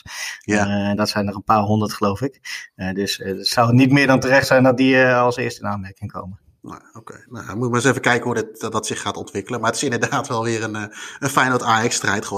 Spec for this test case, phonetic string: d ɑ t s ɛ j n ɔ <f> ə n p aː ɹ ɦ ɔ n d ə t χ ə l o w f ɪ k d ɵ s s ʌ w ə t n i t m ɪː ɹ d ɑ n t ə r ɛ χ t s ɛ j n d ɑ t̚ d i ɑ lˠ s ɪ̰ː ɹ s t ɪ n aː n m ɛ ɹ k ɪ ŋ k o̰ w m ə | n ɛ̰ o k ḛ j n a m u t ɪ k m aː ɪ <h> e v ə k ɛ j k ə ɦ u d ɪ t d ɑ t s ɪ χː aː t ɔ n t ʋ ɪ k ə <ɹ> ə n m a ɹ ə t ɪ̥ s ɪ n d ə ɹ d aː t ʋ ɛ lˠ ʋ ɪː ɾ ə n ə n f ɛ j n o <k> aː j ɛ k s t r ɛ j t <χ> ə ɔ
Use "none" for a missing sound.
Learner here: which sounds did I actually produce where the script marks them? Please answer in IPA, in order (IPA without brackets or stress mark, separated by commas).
χ, s, l, t, χ